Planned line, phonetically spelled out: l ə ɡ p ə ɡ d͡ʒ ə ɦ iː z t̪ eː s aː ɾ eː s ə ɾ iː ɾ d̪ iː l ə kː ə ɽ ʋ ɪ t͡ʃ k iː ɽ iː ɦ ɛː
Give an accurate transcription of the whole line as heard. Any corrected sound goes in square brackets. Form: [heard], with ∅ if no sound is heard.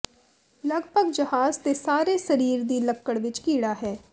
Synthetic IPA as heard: l ə ɡ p ə ɡ d͡ʒ ə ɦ [aː] z t̪ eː s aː ɾ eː s ə ɾ iː ɾ d̪ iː l ə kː ə ɽ ʋ ɪ t͡ʃ k iː ɽ [aː] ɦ ɛː